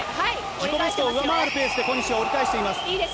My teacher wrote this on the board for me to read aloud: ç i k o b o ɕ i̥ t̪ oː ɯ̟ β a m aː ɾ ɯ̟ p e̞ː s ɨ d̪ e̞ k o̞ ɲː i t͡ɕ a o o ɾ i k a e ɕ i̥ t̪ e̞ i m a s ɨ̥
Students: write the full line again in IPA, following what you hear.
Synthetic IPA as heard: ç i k o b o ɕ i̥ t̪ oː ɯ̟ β a m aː ɾ ɯ̟ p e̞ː s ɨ d̪ e̞ k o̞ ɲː i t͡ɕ i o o ɾ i k a e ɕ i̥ t̪ e̞ i m a s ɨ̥